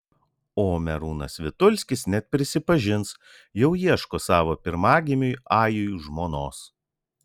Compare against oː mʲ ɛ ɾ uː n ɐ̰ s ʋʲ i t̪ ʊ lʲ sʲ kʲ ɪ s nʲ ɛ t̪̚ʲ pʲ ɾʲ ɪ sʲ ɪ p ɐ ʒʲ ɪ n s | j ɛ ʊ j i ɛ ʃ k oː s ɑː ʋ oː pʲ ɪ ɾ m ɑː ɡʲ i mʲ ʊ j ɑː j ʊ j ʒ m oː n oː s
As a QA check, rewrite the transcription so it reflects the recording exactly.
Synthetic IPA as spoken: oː mʲ ɛ ɾ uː n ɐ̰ s ʋʲ ɪ t̪ ʊ lʲ sʲ kʲ ɪ s nʲ ɛ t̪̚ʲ pʲ ɾʲ ɪ sʲ ɪ p ɐ ʒʲ ɪ n s | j ɛ ʊ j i ɛ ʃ k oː s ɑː ʋ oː pʲ ɪ ɾ m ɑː ɡʲ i mʲ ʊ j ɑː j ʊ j ʒ m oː n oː s